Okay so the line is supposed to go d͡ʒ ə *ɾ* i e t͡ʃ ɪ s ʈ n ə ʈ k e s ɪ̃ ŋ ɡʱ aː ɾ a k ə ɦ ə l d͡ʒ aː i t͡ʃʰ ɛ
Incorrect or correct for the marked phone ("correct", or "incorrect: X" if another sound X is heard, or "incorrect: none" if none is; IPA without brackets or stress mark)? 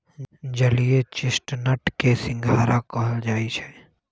incorrect: l